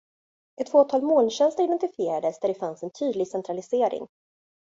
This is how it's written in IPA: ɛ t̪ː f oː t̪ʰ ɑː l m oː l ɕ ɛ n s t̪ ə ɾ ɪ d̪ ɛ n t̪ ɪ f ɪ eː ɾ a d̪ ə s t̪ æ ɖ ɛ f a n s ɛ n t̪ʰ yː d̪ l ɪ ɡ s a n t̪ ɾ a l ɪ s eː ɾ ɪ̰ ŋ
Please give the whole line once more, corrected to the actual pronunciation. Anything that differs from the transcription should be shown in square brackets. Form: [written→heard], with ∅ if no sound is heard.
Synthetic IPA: ɛ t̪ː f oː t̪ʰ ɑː l m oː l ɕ ɛ n s t̪ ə ɾ ɪ d̪ ɛ n t̪ ɪ f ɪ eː ɾ a d̪ ə s [t̪→d̪] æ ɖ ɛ f a n s ɛ n t̪ʰ yː d̪ l ɪ ɡ s [a→ɛ] n t̪ ɾ a l ɪ s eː ɾ ɪ̰ ŋ